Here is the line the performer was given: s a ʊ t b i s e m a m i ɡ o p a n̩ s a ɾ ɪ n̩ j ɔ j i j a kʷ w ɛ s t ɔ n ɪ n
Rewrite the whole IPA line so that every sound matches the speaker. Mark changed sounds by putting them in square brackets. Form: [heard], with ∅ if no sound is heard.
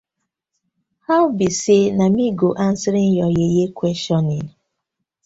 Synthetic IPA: [h] a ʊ [∅] b i s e [n] a m i ɡ o [ʔ] a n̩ s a ɾ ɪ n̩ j ɔ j [e] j [e] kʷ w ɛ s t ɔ n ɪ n